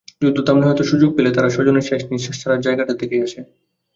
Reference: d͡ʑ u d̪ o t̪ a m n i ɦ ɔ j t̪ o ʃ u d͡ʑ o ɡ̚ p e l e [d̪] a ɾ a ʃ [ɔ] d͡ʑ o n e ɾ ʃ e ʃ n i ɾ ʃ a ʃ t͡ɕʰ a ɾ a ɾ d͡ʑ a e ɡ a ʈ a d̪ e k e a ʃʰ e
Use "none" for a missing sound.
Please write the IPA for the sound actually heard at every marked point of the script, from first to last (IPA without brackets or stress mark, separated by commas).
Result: t̪, ɔ